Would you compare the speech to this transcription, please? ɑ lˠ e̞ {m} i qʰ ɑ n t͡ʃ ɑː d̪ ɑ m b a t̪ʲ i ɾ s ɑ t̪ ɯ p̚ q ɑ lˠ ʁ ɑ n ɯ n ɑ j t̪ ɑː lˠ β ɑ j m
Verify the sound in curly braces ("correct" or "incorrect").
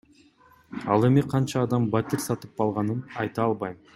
correct